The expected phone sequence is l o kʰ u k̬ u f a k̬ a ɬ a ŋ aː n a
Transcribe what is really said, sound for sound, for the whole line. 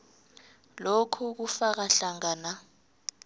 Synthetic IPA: l o kʰ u k̬ u f a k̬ a ɬ a ŋ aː n a